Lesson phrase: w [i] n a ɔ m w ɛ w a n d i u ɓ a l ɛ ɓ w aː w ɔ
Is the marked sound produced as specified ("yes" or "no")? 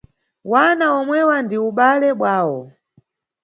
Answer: no